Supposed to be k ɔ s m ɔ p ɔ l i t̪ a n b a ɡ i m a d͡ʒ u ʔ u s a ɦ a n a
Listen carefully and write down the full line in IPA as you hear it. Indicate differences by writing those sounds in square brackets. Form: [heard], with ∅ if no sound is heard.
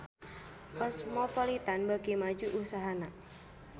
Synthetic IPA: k ɔ s m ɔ p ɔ l i t̪ a n b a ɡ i m a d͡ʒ u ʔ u s a ɦ a n a